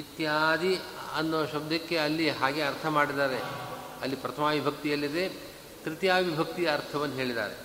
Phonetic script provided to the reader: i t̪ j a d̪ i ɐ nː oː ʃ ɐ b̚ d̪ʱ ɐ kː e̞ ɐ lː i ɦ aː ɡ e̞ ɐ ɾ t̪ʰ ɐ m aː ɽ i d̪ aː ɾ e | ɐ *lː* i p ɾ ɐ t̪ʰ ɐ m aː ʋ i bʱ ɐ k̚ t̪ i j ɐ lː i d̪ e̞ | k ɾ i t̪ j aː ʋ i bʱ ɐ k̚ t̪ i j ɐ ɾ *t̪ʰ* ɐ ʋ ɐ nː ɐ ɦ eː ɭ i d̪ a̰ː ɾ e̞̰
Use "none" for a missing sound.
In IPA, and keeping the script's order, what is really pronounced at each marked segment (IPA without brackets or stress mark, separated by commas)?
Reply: lː, t̪ʰ